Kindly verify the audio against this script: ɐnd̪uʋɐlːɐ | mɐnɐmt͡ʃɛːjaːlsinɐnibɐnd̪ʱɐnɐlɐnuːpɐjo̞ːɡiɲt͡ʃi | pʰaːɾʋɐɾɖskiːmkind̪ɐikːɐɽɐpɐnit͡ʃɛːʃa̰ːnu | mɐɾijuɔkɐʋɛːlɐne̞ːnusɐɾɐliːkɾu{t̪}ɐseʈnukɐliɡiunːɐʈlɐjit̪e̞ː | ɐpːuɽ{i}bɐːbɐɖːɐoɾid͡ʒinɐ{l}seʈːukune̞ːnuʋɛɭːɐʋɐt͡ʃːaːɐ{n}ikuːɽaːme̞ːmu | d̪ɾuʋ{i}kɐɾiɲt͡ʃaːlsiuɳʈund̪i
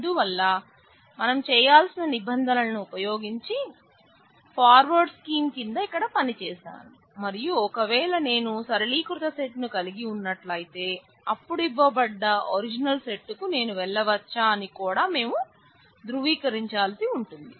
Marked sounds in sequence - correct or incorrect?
correct, correct, correct, correct, incorrect: iː

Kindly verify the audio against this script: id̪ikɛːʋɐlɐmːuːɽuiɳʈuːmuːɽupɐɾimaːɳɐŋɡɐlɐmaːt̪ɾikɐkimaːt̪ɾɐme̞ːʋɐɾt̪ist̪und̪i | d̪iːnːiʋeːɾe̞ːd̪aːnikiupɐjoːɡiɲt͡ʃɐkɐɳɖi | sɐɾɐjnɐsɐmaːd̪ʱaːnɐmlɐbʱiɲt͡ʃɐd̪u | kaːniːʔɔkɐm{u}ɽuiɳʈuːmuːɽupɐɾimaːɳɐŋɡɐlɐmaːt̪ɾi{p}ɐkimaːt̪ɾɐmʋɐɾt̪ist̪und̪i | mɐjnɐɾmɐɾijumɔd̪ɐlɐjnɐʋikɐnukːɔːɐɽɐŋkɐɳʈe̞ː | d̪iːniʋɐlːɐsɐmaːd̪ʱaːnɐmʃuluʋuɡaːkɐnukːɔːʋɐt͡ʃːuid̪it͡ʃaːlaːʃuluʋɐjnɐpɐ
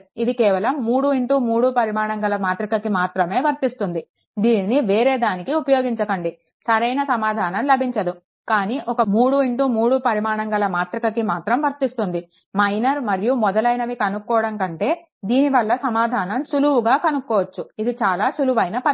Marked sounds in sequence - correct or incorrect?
incorrect: uː, incorrect: k

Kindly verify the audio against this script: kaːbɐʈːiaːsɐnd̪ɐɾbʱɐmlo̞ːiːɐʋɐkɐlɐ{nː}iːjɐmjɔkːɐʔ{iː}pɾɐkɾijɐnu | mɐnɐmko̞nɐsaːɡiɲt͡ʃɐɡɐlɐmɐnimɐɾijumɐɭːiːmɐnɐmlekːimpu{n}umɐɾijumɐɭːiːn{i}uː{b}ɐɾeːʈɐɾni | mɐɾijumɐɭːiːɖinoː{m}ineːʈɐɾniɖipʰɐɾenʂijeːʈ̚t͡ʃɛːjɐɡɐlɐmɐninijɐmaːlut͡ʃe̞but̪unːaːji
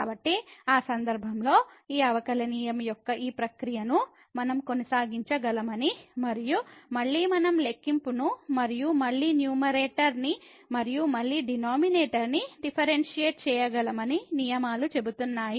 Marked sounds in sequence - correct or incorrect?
incorrect: n, correct, correct, incorrect: j, incorrect: m, correct

